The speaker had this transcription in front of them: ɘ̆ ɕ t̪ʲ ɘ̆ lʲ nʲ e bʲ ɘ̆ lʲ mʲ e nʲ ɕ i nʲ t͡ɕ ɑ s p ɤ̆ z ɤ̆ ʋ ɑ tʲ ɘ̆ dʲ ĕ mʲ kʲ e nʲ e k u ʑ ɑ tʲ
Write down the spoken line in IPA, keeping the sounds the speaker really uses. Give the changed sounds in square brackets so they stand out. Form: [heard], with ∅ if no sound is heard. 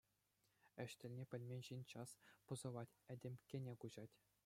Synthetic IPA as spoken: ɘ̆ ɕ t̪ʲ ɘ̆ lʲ nʲ e [pʲ] ɘ̆ lʲ mʲ e nʲ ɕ i nʲ t͡ɕ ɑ s p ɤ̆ z ɤ̆ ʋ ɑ tʲ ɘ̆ dʲ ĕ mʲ kʲ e nʲ e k u ʑ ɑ tʲ